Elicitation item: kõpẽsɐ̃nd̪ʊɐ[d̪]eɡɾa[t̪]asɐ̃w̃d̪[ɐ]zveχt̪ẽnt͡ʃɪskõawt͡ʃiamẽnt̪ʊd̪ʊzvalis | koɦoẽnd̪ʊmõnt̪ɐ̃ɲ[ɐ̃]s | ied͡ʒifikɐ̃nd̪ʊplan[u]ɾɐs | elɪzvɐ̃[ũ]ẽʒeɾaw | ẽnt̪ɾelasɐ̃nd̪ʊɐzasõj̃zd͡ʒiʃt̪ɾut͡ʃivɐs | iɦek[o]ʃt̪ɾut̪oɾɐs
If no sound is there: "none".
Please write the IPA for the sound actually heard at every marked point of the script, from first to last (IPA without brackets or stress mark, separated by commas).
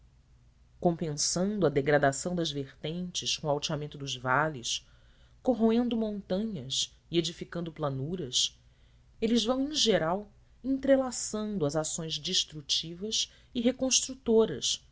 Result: d̪, d̪, ɐ, ɐ, u, w̃, õ